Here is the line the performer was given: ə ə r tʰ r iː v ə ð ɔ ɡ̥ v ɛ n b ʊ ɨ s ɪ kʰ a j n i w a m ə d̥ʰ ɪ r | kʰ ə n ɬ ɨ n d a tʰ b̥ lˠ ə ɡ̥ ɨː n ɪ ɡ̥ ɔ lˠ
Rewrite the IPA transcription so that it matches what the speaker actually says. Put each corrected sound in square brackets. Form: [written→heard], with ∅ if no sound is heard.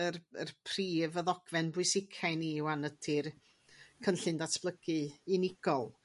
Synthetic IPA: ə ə r [tʰ→pʰ] r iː v ə ð ɔ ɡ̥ v ɛ n b ʊ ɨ s ɪ kʰ a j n i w a [m→n] ə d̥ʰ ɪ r | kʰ ə n ɬ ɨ n d a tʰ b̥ lˠ ə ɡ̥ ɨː n ɪ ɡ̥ ɔ lˠ